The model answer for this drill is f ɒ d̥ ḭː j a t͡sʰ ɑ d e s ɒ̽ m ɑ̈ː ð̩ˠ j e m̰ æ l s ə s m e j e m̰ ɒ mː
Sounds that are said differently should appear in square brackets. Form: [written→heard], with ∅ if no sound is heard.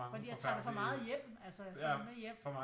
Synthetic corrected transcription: f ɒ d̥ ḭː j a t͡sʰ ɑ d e [s→f] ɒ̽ m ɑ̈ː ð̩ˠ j e m̰ æ l s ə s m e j e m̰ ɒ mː